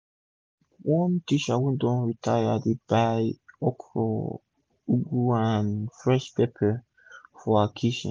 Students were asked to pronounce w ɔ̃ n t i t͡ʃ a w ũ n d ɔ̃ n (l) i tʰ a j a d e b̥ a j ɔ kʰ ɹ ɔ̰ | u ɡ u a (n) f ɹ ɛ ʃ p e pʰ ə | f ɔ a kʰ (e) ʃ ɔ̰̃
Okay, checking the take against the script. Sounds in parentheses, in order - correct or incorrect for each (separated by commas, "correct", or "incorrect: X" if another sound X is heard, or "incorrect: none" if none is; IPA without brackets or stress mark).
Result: incorrect: ɹ, correct, incorrect: i